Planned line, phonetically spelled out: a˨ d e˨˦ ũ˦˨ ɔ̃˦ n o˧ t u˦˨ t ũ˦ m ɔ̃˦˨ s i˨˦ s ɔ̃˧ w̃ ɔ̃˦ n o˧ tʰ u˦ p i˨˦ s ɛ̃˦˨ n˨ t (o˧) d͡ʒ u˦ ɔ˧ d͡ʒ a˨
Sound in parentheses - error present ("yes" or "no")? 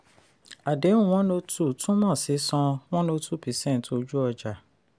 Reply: no